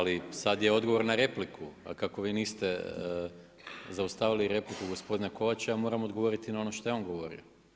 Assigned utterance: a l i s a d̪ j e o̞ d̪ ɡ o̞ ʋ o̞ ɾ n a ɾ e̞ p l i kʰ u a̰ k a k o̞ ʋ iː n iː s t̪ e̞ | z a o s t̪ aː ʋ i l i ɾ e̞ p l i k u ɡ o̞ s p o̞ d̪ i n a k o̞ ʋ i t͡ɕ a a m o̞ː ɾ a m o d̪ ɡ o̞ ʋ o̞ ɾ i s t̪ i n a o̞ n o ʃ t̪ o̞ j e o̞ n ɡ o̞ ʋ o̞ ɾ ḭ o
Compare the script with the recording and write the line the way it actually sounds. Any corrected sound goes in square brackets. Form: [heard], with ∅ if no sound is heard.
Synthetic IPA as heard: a l i s a d̪ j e o̞ d̪ ɡ o̞ ʋ o̞ ɾ n a ɾ e̞ p l i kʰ u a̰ k a k o̞ ʋ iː n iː s t̪ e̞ | z a [u] s t̪ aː ʋ i l i ɾ e̞ p l i k u ɡ o̞ s p o̞ d̪ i n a k o̞ ʋ [a] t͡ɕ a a m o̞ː ɾ a m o d̪ ɡ o̞ ʋ o̞ ɾ i [∅] t̪ i n a o̞ n o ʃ t̪ o̞ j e o̞ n ɡ o̞ ʋ o̞ ɾ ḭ o